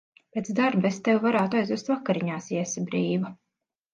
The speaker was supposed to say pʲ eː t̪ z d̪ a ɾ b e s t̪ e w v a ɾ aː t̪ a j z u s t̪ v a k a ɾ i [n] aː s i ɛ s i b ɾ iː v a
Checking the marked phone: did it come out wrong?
yes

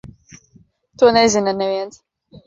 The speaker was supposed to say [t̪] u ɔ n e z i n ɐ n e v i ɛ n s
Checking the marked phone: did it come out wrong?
no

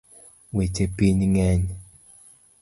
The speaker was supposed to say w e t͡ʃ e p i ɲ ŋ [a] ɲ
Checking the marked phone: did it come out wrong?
yes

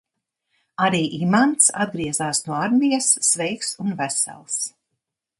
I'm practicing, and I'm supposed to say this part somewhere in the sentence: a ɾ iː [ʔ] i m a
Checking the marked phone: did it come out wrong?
no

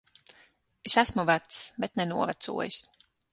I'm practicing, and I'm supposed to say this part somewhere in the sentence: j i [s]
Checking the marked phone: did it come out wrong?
no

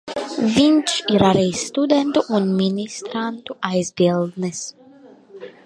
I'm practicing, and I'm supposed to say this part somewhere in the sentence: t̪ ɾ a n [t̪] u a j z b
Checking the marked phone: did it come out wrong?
no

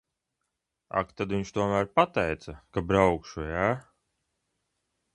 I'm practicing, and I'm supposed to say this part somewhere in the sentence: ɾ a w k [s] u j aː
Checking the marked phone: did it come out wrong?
yes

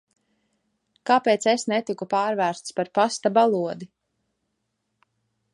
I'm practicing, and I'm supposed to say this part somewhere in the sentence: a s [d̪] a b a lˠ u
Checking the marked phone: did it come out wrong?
yes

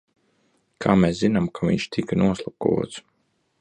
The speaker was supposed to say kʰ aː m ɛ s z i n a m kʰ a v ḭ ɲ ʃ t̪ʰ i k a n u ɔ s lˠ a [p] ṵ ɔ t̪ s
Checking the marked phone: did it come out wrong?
yes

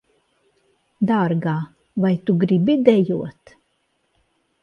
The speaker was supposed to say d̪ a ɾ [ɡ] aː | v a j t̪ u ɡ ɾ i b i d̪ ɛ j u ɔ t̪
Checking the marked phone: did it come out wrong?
no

